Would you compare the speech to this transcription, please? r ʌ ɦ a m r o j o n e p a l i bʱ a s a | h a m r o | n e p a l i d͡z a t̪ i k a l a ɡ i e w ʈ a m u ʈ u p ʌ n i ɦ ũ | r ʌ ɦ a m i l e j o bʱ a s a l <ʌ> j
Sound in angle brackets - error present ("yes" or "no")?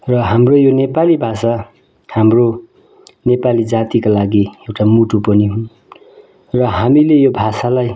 yes